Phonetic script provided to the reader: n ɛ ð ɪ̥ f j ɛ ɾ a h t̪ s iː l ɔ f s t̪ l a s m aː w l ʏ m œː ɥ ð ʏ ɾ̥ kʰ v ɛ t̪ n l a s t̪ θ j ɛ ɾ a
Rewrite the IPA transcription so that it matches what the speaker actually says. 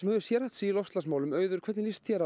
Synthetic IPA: m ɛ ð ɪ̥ s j ɛ ɾ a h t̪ s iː l ɔ f s t̪ l a s m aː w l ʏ m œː ɥ ð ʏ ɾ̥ kʰ v ɛ t̪ n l i s t̪ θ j ɛ ɾ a